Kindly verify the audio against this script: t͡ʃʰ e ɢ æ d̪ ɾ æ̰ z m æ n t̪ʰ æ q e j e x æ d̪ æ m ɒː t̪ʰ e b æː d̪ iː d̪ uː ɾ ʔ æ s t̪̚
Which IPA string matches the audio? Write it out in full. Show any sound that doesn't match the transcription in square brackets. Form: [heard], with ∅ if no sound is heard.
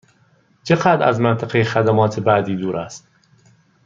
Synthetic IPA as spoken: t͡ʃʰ e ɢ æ d̪ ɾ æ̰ z m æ n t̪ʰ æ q e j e x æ d̪ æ m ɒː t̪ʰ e b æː d̪ iː d̪ uː ɾ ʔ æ s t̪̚